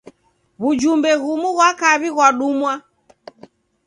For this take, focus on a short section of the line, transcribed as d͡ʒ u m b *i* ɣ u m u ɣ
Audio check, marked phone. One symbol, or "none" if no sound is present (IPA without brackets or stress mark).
ɛ